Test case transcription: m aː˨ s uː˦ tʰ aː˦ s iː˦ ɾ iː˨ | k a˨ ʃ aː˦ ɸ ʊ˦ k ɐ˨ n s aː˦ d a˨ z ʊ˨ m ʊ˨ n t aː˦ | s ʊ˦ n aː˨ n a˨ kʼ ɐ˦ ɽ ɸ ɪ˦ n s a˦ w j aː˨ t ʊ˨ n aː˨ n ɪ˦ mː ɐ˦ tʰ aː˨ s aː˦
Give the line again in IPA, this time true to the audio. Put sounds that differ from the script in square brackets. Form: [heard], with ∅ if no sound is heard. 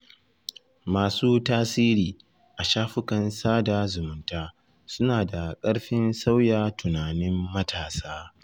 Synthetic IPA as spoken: m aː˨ s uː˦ [t] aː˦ s iː˦ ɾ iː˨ | [ʔ] a˨ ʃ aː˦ ɸ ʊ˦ k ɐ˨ n s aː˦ d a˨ z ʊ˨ m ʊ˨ n t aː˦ | s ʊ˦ n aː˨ [d] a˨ kʼ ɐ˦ ɽ ɸ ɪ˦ n s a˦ w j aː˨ t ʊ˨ n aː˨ n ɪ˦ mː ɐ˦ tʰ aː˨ s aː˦

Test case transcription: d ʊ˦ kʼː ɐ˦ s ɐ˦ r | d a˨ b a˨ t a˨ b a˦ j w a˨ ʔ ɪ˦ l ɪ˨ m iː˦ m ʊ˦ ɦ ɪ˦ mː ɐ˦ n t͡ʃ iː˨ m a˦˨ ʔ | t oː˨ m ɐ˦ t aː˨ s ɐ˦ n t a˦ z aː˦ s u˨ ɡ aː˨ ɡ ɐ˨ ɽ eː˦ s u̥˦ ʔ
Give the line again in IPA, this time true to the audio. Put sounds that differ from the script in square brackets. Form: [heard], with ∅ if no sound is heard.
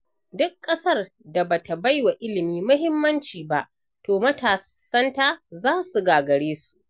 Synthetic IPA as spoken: d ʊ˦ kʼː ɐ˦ s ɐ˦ r | d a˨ b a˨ t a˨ b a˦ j w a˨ ʔ ɪ˦ l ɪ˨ m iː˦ m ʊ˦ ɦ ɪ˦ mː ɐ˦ n t͡ʃ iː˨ [b] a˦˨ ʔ | t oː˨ m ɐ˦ t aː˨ s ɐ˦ n t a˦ z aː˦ s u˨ ɡ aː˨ ɡ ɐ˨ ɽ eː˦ s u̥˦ ʔ

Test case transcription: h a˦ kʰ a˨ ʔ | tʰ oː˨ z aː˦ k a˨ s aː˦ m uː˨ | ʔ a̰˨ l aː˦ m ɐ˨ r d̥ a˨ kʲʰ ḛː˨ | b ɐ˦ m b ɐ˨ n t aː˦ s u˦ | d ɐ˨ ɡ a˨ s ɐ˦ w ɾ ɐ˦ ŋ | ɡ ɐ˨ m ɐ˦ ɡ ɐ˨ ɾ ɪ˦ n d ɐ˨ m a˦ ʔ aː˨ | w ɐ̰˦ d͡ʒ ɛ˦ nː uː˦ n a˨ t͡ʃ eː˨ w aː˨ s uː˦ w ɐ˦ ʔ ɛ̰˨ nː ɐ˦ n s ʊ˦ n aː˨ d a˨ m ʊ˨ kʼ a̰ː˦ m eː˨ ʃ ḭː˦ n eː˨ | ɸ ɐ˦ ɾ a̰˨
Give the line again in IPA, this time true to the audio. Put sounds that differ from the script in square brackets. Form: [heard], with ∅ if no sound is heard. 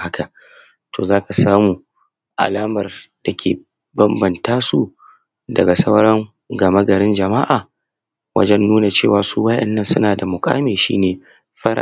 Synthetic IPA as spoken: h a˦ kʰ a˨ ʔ | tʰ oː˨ z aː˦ k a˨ s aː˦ m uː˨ | ʔ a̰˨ l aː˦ m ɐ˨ r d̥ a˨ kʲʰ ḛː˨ | b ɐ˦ m b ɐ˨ n t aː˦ s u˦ | d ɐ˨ ɡ a˨ s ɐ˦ w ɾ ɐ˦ ŋ | ɡ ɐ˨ m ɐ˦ ɡ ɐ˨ ɾ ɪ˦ n [d͡ʒ] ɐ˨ m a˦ ʔ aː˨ | w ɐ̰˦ d͡ʒ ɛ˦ nː uː˦ n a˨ t͡ʃ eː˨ w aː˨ s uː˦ w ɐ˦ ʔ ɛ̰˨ nː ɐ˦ n s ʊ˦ n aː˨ d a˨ m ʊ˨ kʼ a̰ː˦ m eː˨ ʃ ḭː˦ n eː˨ | ɸ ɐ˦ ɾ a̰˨

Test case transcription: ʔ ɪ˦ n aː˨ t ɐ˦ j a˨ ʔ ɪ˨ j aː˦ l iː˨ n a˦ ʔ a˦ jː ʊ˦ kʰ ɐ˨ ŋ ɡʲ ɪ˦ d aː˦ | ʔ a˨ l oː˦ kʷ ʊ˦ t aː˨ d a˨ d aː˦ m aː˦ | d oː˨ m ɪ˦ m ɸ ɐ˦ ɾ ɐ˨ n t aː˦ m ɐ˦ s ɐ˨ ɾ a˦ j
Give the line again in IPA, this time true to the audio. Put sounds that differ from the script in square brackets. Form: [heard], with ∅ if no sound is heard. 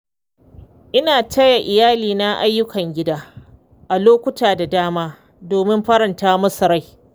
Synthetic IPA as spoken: ʔ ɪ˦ n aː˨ t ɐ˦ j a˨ ʔ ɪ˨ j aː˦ l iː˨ n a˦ ʔ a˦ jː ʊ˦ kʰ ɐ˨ ŋ ɡʲ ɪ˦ d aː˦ | ʔ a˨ l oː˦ kʷ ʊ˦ t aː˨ d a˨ d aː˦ m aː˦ | d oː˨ m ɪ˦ m ɸ ɐ˦ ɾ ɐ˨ n t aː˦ m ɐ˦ s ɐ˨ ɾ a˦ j

